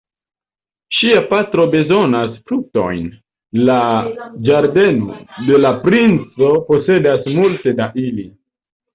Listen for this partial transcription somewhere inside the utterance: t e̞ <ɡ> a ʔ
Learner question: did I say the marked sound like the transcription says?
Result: no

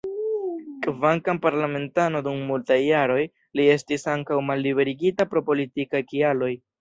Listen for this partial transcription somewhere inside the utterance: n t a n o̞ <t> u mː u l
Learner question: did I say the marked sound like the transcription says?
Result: no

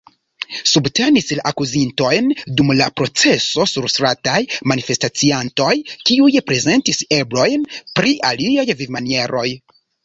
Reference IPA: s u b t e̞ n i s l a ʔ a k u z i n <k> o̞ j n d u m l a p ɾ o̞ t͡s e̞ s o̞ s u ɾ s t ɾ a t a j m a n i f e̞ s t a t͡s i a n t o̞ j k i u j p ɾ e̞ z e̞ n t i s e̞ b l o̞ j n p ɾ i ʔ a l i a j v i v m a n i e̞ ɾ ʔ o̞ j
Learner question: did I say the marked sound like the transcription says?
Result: no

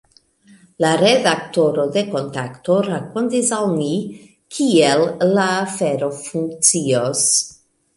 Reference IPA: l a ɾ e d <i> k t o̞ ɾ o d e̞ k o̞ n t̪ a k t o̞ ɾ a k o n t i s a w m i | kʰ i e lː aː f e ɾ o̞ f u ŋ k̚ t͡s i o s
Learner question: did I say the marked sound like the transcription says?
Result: no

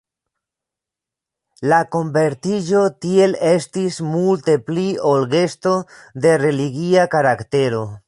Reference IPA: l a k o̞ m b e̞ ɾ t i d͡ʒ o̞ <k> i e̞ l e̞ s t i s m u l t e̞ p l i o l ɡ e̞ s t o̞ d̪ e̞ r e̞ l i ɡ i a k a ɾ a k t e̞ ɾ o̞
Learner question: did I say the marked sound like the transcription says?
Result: no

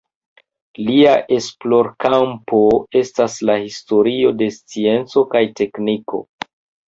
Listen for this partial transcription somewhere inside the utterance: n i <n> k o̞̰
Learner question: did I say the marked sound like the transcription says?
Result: no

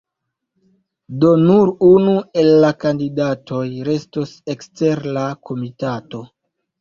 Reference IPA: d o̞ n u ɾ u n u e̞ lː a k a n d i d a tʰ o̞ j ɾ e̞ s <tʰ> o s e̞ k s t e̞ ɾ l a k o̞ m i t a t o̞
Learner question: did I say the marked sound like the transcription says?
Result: no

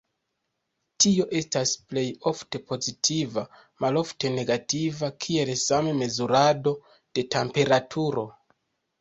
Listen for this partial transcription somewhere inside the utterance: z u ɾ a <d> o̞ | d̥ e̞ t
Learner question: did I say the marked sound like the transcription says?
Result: yes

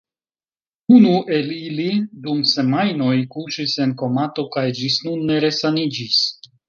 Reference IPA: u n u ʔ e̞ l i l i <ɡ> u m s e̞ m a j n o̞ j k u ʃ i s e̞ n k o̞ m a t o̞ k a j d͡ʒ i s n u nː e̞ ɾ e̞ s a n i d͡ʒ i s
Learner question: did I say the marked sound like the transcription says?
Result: no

